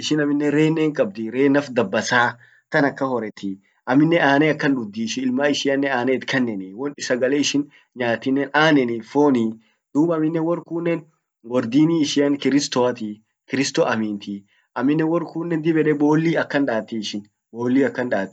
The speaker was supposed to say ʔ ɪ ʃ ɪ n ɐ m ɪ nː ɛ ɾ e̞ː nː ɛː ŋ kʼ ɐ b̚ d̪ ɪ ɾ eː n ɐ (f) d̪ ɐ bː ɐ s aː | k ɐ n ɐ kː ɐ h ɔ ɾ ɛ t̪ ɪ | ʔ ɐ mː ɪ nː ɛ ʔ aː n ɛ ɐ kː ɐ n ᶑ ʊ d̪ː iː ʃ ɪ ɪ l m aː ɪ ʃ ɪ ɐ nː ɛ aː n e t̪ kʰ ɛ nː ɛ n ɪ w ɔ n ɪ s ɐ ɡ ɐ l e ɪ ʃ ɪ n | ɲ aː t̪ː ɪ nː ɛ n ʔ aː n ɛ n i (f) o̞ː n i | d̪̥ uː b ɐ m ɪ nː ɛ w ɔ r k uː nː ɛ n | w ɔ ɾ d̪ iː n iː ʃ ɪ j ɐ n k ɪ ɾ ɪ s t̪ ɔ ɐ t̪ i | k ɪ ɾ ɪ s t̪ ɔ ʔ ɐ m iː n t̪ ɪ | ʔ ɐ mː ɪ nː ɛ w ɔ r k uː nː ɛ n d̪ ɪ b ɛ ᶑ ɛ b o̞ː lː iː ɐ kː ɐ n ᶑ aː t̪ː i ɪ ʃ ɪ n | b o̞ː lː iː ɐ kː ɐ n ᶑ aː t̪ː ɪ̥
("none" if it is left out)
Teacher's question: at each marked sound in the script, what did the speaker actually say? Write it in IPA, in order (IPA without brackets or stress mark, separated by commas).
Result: f, f